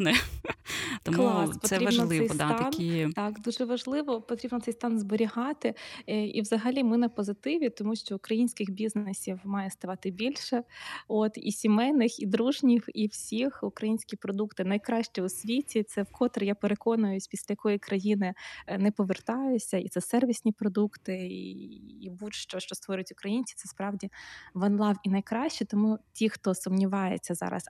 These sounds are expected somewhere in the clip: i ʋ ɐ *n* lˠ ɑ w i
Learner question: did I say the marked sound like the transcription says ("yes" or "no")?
yes